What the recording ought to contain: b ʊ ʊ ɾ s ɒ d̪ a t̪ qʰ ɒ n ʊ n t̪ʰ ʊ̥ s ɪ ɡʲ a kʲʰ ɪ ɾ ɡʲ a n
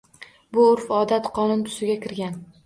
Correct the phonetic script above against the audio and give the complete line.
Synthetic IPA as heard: b ʊ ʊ ɾ f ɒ d̪ a t̪ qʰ ɒ n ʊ n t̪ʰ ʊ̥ s ɪ ɡʲ a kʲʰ ɪ ɾ ɡʲ a n